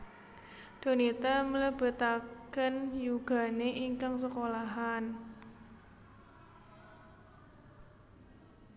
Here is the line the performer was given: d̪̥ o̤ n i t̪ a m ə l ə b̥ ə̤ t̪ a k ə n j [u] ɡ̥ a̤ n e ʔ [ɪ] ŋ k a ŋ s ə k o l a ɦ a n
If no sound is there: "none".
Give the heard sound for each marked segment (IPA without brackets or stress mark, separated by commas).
u, i